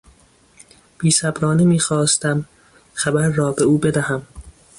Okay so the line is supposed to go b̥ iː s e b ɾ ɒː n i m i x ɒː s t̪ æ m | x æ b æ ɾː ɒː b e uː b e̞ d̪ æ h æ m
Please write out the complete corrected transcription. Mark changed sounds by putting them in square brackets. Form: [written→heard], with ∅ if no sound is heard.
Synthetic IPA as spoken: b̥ iː s [e→æ] b ɾ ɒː n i m [i→iː] x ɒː s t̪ æ m | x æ b æ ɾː ɒː b e uː b e̞ d̪ æ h æ m